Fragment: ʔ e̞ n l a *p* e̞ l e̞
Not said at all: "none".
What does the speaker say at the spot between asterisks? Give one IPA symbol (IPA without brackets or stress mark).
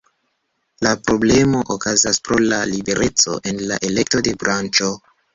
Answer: ʔ